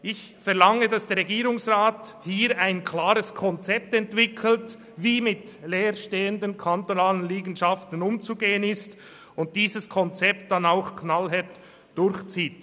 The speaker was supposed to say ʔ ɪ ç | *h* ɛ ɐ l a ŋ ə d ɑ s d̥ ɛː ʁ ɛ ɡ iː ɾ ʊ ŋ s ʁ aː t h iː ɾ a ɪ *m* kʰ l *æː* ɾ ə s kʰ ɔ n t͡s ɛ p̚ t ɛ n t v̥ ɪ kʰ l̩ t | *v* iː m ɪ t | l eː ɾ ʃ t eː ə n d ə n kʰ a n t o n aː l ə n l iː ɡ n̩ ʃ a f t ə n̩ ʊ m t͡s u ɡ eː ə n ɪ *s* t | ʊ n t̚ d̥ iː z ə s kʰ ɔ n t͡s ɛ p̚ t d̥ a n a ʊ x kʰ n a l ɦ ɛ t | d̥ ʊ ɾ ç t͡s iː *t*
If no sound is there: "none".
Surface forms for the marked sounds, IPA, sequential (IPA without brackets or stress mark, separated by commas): f, n, aː, v, s, t